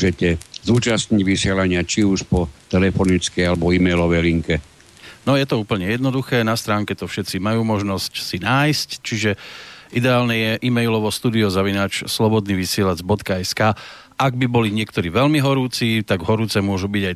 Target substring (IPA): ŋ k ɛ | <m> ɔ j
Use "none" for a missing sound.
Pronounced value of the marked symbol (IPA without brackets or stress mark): n